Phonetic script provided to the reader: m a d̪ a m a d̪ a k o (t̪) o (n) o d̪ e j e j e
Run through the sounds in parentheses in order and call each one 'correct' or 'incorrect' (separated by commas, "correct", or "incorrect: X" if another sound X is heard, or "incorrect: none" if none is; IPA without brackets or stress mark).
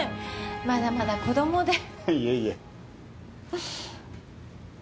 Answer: incorrect: d̪, incorrect: m